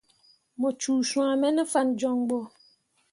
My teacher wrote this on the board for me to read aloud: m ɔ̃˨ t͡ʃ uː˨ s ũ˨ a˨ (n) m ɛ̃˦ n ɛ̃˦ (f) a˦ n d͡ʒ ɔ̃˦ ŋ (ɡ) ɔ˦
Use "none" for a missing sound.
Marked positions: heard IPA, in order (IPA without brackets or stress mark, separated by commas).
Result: none, f, ɡ͡b